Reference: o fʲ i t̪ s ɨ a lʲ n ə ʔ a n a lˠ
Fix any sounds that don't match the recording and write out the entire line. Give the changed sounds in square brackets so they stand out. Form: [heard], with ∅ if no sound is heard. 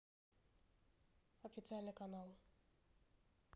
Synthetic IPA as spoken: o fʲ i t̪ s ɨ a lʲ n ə [k] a n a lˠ